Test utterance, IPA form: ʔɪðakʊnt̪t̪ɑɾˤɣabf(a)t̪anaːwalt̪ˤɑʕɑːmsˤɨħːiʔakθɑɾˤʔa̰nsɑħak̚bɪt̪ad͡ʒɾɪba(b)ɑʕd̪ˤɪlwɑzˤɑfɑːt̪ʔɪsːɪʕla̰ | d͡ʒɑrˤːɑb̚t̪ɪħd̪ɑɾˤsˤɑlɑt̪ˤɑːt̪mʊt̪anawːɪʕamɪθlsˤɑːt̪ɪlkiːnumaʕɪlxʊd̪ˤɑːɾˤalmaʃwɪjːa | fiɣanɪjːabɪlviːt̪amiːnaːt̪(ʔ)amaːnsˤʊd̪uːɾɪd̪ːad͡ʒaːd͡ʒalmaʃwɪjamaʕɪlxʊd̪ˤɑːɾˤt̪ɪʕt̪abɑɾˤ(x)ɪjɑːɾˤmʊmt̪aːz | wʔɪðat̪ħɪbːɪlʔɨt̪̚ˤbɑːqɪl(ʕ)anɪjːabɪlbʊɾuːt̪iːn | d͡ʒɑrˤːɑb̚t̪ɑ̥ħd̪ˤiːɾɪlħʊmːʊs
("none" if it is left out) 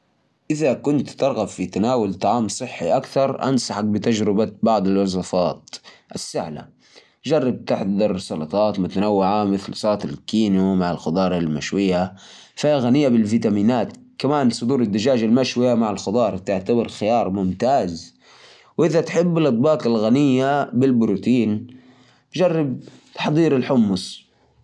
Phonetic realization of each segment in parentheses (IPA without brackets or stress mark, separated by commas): i, b, k, x, ɣ